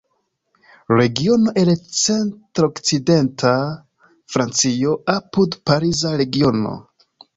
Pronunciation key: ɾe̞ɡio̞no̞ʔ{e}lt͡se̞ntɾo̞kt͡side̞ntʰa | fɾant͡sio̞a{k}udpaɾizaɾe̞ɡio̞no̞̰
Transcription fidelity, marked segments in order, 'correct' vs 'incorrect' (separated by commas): correct, incorrect